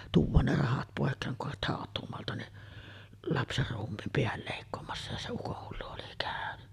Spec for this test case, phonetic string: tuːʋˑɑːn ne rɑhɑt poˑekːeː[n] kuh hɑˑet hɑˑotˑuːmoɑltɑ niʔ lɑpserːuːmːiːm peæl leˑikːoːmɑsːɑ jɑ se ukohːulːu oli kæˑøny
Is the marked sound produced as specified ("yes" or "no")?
no